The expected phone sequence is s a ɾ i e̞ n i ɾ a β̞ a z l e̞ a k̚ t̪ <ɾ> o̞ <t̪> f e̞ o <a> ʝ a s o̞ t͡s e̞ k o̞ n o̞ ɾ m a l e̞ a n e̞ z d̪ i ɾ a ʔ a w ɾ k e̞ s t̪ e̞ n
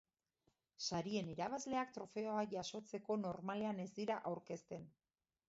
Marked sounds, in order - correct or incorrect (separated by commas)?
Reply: correct, incorrect, correct